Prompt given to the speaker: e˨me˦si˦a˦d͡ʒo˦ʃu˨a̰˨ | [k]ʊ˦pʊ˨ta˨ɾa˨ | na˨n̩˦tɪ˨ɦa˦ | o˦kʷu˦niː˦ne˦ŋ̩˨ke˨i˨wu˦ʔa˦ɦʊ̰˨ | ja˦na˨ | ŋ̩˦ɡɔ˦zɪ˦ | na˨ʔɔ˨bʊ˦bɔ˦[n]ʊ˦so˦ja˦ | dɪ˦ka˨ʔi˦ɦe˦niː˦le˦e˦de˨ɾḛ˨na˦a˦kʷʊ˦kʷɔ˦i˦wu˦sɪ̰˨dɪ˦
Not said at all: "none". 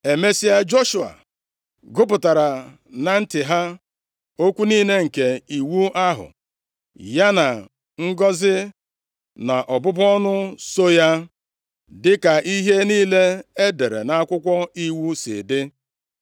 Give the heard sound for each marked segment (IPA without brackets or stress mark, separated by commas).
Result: ɡ, n